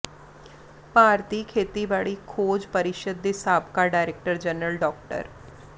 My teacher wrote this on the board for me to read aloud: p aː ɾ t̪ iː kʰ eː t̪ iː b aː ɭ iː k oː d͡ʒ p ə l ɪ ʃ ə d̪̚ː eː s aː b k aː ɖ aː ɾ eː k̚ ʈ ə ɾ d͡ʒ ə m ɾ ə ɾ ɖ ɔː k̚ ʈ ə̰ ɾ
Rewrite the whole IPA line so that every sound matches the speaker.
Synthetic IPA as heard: p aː ɾ t̪ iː kʰ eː t̪ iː b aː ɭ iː kʰ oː d͡ʒ p ə ɾ ɪ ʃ ə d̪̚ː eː s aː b k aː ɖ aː ɾ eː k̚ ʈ ə ɾ d͡ʒ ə n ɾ ə l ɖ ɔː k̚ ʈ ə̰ ɾ